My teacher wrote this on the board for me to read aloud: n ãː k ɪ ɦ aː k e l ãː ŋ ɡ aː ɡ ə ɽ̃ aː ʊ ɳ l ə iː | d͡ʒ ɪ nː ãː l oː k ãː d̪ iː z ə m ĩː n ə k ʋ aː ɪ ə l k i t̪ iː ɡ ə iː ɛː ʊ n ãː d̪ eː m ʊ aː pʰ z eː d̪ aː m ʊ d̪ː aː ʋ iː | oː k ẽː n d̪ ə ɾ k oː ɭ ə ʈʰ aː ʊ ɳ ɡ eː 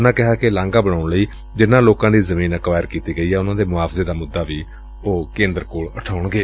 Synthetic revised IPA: n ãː k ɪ ɦ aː k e l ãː ŋ ɡ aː b ə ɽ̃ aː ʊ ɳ l ə iː | d͡ʒ ɪ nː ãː l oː k ãː d̪ iː z ə m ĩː n ə k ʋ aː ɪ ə ɾ k iː t̪ iː ɡ ə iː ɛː ʊ n ãː d̪ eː m ʊ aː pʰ z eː d̪ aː m ʊ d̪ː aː ʋ iː | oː k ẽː n d̪ ə ɾ k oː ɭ ə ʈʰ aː ʊ ɳ ɡ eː